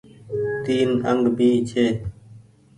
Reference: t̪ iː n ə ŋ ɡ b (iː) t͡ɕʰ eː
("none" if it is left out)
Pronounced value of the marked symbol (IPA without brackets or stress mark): iː